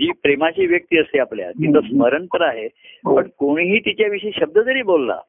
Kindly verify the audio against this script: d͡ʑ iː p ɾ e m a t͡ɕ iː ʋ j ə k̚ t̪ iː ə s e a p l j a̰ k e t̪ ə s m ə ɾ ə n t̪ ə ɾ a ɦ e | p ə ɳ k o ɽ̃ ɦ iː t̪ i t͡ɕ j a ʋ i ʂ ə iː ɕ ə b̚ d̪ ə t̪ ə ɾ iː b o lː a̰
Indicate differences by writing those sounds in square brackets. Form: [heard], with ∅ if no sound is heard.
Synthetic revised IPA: d͡ʑ iː p ɾ e m a t͡ɕ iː ʋ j ə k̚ t̪ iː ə s e a p l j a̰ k [i] t̪ ə s m ə ɾ ə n t̪ ə ɾ a ɦ e | p ə ɳ k o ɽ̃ ɦ iː t̪ i t͡ɕ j a ʋ i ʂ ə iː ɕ ə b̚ d̪ ə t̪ ə ɾ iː b o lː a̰